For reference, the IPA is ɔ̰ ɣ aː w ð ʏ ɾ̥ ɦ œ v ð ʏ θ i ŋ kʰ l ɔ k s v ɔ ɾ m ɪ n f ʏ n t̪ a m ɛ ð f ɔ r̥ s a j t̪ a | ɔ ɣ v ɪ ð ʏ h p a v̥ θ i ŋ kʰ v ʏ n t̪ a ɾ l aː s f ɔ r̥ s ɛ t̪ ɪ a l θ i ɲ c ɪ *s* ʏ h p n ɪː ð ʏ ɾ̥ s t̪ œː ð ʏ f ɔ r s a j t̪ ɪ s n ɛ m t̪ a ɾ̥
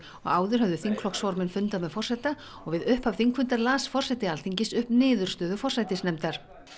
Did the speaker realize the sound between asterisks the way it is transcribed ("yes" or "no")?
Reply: yes